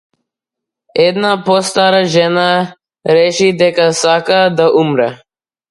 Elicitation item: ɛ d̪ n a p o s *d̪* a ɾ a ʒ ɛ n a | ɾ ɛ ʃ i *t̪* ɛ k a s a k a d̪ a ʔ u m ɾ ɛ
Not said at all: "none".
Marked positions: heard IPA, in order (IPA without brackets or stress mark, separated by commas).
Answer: t̪, d̪